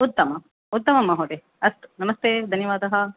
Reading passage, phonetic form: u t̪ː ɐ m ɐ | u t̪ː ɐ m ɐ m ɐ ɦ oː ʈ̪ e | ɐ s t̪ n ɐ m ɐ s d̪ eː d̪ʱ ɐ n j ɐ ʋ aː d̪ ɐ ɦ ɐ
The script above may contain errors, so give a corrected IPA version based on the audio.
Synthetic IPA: u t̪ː ɐ m ɐ | u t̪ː ɐ m ɐ m ɐ ɦ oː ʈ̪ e | ɐ s t̪ n ɐ m ɐ s t̪ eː d̪ʱ ɐ n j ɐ ʋ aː d̪ ɐ ɦ ɐ